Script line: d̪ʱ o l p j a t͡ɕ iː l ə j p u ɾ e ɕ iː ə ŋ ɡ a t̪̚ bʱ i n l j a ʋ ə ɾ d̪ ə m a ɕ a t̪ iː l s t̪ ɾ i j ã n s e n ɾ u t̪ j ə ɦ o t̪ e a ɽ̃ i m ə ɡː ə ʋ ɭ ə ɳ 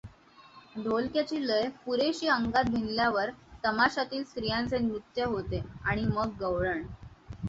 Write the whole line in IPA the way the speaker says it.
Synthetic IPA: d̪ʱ o l k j a t͡ɕ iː l ə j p u ɾ e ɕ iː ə ŋ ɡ a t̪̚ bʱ i n l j a ʋ ə ɾ t̪ ə m a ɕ a t̪ iː l s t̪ ɾ i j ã n t͡s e n ɾ u t̪ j ə ɦ o t̪ e a ɽ̃ i m ə ɡː ə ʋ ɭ ə ɳ